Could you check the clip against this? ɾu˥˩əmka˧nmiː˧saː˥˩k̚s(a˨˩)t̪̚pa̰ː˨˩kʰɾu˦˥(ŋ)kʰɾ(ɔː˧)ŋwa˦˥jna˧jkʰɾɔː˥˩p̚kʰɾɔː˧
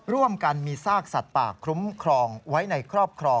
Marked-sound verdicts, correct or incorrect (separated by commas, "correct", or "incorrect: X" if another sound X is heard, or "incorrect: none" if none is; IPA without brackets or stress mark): correct, incorrect: m, correct